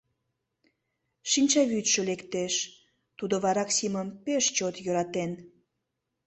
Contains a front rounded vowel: yes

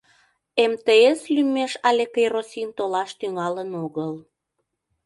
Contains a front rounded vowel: yes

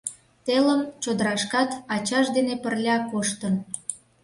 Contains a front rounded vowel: no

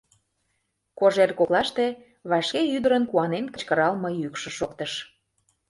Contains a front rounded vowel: yes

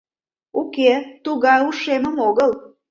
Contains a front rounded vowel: no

